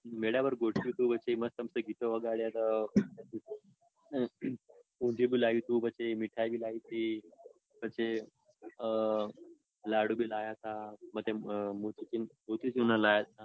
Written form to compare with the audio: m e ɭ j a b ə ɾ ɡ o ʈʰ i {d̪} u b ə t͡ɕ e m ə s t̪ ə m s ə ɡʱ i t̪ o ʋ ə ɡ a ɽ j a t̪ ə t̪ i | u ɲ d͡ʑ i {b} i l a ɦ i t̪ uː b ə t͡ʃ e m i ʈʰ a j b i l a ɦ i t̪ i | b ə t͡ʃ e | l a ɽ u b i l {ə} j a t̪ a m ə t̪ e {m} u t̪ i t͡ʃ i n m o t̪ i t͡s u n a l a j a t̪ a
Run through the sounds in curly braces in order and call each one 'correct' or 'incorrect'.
incorrect: t̪, correct, incorrect: a, correct

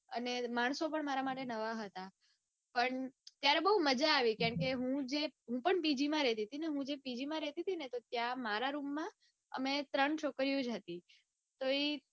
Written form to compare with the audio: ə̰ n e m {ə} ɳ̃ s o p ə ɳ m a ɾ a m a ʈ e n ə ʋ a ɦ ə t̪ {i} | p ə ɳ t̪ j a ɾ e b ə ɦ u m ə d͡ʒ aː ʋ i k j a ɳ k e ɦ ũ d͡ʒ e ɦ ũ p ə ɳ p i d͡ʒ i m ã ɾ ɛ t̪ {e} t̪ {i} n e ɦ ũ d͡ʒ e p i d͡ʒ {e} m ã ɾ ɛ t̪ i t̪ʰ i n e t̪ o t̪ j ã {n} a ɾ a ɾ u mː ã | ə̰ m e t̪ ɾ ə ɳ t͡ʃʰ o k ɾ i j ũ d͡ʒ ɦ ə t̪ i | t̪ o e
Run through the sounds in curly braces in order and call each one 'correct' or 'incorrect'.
incorrect: a, incorrect: a, incorrect: i, correct, incorrect: i, incorrect: m

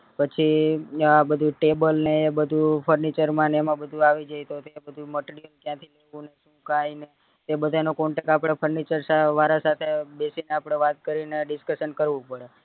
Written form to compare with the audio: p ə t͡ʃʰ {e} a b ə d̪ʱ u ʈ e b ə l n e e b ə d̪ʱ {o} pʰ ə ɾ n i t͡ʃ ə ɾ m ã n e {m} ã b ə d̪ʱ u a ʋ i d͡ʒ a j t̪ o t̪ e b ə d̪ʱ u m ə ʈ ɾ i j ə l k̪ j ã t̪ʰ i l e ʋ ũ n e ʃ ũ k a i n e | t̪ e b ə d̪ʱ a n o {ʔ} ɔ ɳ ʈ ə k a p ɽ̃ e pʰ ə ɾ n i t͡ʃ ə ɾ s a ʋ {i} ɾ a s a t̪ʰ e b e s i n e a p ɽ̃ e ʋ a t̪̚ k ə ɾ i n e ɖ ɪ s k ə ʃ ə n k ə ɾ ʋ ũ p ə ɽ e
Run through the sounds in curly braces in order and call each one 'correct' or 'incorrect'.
incorrect: i, incorrect: u, correct, incorrect: k, incorrect: a

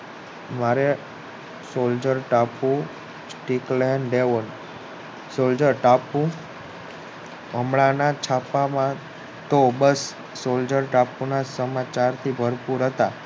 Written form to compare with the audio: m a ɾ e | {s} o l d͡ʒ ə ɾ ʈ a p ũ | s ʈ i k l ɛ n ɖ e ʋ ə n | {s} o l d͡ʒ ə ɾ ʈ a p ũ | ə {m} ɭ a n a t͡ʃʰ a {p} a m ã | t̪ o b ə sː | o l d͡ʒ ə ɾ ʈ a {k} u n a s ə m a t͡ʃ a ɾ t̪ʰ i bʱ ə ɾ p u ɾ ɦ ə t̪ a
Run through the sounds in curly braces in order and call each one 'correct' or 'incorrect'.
correct, correct, correct, correct, incorrect: p

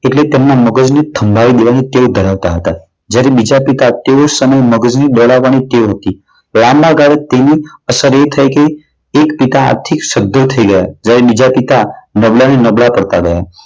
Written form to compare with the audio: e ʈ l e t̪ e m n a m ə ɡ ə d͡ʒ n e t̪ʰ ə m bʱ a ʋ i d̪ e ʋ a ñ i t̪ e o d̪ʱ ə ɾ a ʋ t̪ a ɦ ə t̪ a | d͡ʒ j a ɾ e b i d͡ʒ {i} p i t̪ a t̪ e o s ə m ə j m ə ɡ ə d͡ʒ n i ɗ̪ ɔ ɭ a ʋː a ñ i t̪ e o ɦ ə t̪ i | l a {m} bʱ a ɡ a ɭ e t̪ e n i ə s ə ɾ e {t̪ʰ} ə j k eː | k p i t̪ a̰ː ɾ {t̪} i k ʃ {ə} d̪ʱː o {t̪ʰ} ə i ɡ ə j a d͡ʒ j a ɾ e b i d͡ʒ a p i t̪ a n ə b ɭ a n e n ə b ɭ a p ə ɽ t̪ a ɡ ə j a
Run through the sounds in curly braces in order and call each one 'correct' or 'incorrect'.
incorrect: a, correct, correct, incorrect: t̪ʰ, correct, correct

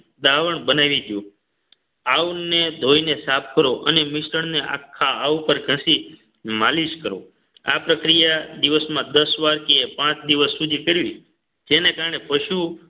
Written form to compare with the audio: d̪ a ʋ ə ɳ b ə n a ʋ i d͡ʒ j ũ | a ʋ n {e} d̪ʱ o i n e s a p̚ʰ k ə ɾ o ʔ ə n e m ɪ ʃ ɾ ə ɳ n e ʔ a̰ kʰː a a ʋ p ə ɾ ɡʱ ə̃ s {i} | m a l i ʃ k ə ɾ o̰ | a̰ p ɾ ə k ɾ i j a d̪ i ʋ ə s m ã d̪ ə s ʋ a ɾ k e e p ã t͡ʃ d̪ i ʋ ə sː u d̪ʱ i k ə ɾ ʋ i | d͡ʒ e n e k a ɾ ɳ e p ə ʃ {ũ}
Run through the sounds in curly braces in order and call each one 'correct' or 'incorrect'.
correct, correct, incorrect: u

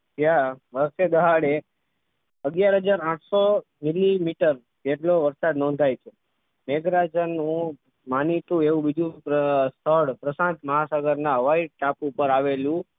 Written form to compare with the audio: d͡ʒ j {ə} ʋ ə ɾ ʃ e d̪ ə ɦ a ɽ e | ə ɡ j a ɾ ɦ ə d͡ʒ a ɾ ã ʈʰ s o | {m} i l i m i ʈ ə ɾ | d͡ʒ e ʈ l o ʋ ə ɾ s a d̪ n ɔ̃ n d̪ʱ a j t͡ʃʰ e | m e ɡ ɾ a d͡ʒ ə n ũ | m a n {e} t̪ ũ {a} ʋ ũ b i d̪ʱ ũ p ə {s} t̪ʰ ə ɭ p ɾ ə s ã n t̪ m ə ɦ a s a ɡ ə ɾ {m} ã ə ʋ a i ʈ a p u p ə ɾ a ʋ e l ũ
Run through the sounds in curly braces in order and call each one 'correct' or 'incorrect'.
incorrect: a, correct, incorrect: i, incorrect: e, correct, incorrect: n

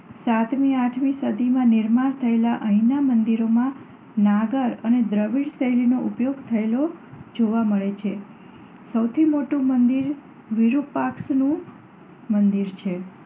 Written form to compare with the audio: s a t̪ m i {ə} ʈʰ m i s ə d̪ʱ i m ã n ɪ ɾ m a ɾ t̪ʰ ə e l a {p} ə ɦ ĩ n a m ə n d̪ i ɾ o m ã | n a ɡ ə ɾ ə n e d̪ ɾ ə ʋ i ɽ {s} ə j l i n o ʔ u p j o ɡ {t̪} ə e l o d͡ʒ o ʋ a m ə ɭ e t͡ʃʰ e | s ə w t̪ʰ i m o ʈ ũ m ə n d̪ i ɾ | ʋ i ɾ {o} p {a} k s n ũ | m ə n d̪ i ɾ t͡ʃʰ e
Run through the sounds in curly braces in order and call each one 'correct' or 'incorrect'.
incorrect: a, incorrect: ʔ, correct, incorrect: t̪ʰ, incorrect: u, correct

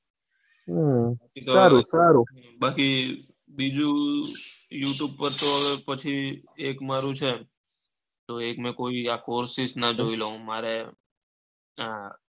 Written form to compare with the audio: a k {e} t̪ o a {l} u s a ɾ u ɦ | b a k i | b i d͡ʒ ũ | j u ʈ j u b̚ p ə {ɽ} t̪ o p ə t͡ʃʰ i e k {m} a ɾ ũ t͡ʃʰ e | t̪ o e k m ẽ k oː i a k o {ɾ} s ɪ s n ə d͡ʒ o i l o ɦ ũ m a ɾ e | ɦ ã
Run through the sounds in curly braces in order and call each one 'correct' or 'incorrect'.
incorrect: i, incorrect: ɾ, incorrect: ɾ, correct, correct

